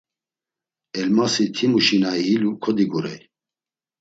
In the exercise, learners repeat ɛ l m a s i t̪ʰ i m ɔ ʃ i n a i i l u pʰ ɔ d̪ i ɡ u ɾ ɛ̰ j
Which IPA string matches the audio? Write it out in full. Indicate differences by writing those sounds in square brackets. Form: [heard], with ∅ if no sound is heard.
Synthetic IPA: ɛ l m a s i t̪ʰ i m [u] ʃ i n a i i l u [kʰ] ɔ d̪ i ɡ u ɾ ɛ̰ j